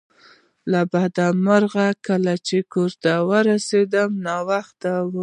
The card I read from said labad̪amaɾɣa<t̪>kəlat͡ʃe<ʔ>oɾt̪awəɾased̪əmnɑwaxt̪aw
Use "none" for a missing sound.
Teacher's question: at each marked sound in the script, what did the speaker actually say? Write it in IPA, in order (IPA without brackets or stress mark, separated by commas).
none, k